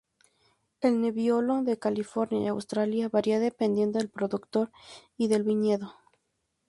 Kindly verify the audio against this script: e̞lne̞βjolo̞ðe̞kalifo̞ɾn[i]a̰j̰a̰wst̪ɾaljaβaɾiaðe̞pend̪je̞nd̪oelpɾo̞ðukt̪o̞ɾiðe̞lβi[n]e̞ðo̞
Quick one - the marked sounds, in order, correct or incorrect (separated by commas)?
incorrect, incorrect